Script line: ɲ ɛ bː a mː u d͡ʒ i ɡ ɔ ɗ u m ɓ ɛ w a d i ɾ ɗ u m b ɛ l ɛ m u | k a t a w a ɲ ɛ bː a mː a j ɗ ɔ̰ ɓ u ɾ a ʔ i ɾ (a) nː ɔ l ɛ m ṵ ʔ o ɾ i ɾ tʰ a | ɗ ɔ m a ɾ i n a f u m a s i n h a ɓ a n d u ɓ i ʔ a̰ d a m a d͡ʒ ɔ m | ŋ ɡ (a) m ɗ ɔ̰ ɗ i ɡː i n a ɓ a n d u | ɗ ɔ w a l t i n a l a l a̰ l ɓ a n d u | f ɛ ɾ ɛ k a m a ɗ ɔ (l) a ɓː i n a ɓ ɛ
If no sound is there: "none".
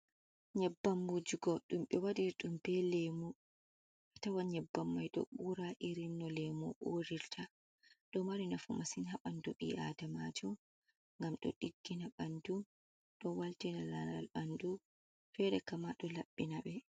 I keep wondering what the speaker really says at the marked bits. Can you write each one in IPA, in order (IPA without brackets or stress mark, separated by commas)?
i, a, l